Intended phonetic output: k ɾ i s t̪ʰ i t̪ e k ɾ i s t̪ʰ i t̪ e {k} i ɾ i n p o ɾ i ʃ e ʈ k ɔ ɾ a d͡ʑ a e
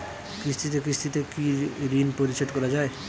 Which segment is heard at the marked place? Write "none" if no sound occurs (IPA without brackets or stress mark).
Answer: k